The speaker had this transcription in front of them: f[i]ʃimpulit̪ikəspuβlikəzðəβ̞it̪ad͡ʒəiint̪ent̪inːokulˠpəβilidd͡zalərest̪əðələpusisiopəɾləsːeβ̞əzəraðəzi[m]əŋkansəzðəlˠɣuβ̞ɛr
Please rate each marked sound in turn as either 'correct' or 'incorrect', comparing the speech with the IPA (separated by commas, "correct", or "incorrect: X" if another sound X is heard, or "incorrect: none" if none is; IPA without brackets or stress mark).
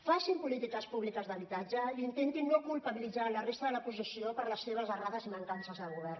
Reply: incorrect: a, correct